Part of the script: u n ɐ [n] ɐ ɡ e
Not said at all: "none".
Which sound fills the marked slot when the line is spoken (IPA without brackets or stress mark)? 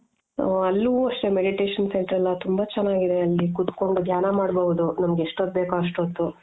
m